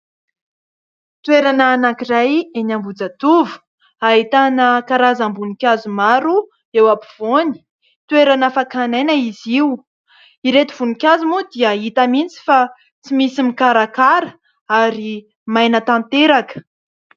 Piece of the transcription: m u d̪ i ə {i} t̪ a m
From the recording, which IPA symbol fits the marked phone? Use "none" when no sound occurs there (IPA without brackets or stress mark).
i